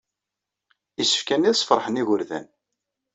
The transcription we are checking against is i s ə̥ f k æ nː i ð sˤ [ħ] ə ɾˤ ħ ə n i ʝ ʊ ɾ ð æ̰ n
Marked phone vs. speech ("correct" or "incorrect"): incorrect